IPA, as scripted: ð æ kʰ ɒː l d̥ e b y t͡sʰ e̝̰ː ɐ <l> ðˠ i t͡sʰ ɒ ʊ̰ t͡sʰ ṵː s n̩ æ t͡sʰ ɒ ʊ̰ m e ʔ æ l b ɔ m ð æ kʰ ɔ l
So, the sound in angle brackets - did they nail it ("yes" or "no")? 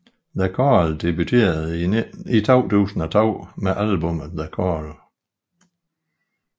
no